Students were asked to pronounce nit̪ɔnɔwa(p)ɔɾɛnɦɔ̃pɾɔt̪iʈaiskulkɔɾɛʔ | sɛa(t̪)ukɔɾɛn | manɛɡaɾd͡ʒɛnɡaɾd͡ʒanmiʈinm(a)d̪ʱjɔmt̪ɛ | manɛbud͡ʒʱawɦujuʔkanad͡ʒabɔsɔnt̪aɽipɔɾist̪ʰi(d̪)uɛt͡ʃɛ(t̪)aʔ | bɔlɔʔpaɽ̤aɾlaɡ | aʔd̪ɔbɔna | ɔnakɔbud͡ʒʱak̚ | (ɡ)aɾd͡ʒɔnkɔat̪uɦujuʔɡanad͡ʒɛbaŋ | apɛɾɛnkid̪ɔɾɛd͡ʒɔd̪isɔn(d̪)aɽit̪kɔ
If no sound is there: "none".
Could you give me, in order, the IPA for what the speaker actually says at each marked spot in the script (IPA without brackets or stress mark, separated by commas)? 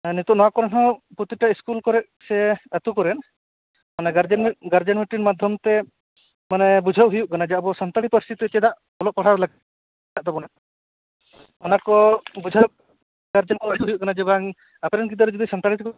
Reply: k, t̪, a, t̪, d̪, ɡ, t̪